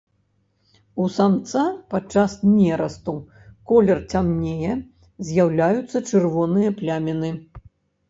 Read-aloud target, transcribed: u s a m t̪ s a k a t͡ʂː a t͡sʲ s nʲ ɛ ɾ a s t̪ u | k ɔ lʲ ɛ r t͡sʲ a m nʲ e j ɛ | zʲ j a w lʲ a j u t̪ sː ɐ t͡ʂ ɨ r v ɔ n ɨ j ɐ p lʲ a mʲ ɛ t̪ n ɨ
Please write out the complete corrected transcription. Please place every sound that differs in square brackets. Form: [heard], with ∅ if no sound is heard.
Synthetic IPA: u s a m t̪ s a [p] a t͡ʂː a [∅] s nʲ ɛ ɾ [ɐ] s t̪ u | k ɔ lʲ ɛ r t͡sʲ a m nʲ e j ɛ | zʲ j a w lʲ a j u t̪ sː ɐ t͡ʂ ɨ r v ɔ n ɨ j ɐ p lʲ a mʲ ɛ [∅] n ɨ

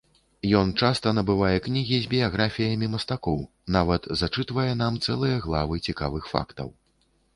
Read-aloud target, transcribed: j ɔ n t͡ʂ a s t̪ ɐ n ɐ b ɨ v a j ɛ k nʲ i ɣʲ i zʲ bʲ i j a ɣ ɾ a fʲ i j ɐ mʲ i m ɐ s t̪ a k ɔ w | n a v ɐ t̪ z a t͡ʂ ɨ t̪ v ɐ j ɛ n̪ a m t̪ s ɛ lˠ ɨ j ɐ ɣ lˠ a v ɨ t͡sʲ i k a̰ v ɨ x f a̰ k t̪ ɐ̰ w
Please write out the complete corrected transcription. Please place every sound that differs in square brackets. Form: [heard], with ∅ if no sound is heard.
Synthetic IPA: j ɔ n t͡ʂ a s t̪ ɐ n ɐ b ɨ v a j ɛ k nʲ i ɣʲ i zʲ bʲ i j a ɣ ɾ a fʲ i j ɐ mʲ i m ɐ s t̪ a k ɔ w | n a v ɐ t̪ z a t͡ʂ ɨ t̪ v ɐ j ɛ n̪ a m t̪ s ɛ lˠ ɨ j ɐ ɣ lˠ a v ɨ t͡sʲ i k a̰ v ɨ x f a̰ k t̪ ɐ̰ w

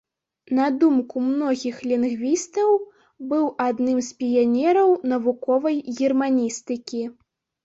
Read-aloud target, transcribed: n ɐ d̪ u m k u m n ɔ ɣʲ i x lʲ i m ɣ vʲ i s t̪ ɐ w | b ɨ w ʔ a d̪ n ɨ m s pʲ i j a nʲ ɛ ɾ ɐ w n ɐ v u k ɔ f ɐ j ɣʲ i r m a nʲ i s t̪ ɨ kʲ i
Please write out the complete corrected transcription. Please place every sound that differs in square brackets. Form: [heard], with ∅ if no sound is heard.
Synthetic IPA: n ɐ d̪ u m k u m n ɔ ɣʲ i x lʲ i [n] ɣ vʲ i s t̪ ɐ w | b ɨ w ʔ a d̪ n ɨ m s pʲ i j a nʲ ɛ ɾ ɐ w n ɐ v u k ɔ [v] ɐ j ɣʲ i r m a nʲ i s t̪ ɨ kʲ i

